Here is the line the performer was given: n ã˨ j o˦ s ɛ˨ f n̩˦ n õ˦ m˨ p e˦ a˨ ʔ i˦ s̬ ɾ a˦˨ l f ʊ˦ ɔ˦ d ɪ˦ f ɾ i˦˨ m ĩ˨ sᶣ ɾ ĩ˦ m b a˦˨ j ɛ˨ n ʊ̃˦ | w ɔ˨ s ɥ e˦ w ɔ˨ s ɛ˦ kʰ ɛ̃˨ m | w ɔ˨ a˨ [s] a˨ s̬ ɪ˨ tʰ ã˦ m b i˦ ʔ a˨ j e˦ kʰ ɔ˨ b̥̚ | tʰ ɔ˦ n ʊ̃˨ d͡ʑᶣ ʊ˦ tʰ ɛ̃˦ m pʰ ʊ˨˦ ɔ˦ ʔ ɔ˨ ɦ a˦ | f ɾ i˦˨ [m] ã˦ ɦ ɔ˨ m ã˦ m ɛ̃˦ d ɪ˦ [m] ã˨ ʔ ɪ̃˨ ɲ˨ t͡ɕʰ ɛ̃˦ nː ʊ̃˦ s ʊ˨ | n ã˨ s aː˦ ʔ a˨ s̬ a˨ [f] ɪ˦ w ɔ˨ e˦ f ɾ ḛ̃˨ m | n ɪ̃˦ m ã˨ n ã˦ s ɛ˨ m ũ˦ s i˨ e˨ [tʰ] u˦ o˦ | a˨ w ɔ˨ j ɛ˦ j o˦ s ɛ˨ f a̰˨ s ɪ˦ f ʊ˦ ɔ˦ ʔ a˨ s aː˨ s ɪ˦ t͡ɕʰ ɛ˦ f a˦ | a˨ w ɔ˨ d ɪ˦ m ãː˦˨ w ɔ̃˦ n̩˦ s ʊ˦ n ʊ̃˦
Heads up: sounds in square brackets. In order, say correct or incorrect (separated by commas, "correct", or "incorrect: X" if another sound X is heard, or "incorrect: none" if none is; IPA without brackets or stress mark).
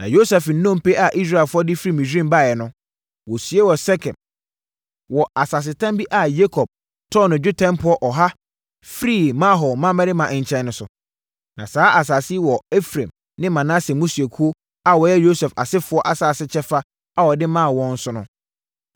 correct, correct, correct, incorrect: s, incorrect: kʰ